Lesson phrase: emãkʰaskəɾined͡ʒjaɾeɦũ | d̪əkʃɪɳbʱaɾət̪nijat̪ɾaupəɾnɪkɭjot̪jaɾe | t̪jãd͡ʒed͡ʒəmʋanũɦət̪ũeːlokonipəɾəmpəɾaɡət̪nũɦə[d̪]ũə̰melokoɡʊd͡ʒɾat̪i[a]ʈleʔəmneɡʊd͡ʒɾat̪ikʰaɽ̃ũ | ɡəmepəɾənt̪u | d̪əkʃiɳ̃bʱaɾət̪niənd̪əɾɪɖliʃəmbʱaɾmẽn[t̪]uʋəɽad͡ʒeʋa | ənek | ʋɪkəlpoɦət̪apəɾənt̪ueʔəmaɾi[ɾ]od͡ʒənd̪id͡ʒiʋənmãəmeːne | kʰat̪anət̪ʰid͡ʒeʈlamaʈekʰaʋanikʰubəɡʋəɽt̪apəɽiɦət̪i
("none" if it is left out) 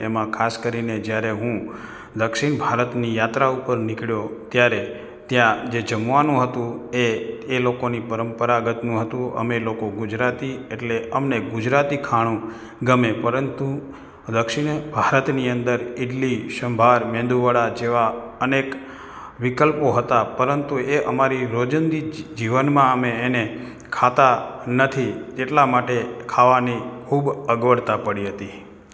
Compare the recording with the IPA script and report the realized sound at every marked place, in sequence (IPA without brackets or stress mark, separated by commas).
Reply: t̪, e, d̪, ɾ